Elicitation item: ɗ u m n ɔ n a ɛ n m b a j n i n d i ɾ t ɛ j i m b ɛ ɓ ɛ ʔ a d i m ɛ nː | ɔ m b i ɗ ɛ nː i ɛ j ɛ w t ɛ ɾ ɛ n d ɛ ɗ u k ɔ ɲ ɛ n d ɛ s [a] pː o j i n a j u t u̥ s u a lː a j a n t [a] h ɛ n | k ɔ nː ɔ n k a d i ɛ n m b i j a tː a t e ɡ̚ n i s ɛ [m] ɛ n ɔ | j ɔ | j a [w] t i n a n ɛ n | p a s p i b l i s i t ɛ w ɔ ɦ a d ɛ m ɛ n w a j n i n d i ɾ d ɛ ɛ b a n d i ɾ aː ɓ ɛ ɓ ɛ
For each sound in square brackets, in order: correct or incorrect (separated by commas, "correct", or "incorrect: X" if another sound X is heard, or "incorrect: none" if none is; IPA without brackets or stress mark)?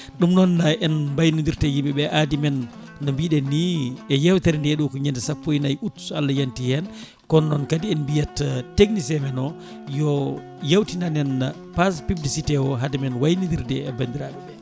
correct, incorrect: i, correct, correct